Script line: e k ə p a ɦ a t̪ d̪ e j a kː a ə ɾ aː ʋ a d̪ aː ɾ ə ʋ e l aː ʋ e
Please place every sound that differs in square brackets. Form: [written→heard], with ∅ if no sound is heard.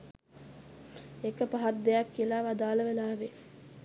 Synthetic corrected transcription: e k ə p a ɦ a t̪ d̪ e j a kː [a→i] ə [ɾ→l] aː ʋ a d̪ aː [ɾ→l] ə ʋ e l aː ʋ e